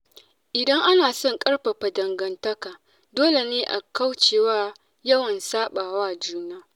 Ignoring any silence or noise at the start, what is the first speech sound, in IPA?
ʔ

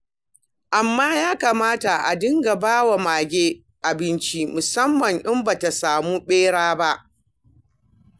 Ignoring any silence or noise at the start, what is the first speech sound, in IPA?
ʔ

